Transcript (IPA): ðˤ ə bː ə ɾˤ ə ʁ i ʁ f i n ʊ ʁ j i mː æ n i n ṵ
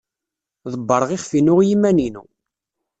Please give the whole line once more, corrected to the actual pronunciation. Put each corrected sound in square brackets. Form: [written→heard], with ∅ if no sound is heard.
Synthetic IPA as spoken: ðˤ ə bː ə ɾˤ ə ʁ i [ʁ→χ] f i n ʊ ʁ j i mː æ n i n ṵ